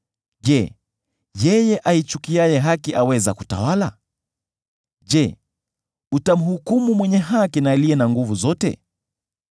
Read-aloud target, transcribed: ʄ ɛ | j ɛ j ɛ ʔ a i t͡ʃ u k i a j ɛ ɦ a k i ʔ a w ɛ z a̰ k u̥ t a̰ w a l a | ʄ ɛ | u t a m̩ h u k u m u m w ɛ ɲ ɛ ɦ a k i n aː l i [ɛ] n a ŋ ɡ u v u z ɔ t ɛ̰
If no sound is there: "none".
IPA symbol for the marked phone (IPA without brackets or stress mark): ɛ